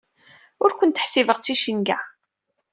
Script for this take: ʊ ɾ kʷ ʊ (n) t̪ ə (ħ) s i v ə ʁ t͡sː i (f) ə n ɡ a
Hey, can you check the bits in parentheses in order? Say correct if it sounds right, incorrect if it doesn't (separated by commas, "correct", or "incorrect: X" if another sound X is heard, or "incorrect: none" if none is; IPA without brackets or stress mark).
correct, correct, incorrect: ʃ